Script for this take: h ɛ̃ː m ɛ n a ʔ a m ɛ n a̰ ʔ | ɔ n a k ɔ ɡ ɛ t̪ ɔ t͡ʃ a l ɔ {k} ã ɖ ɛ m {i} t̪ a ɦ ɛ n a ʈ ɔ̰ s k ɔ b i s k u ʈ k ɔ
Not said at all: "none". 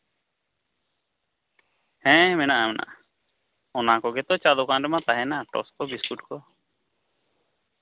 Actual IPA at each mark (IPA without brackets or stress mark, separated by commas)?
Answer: k, a